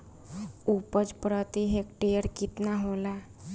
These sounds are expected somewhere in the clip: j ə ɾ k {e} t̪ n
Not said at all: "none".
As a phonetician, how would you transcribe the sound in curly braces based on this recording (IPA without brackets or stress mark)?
i